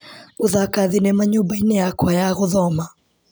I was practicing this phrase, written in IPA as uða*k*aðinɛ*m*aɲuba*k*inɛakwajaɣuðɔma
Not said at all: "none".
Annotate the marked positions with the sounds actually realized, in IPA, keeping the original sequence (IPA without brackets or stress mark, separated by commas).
k, m, none